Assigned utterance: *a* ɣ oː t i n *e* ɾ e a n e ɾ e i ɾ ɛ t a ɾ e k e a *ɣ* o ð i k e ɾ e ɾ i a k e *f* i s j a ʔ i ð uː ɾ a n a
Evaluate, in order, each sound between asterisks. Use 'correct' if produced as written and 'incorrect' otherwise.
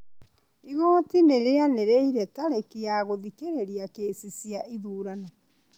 incorrect: i, correct, correct, incorrect: s

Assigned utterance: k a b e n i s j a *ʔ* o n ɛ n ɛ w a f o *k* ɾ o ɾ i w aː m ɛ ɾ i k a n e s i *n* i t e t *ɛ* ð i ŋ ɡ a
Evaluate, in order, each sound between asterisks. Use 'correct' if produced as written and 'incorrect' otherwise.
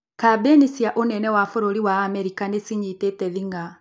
correct, incorrect: none, incorrect: ɲ, correct

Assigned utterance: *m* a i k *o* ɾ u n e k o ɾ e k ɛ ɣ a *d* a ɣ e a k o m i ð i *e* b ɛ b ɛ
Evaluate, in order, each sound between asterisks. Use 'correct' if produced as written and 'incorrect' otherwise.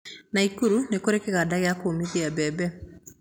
incorrect: n, incorrect: u, correct, incorrect: a

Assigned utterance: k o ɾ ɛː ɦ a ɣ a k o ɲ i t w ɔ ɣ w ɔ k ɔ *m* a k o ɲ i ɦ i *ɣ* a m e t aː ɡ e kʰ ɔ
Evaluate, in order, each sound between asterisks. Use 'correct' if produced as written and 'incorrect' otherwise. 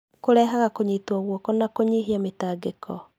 incorrect: n, incorrect: none

